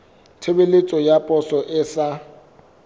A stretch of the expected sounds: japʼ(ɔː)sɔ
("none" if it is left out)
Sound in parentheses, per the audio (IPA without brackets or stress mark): ɔ